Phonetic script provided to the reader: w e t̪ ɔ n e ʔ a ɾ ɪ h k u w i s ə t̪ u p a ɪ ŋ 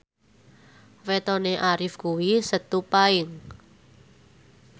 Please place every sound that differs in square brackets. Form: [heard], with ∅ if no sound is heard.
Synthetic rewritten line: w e t̪ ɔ n e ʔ a ɾ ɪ [f] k u w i s ə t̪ u p a ɪ ŋ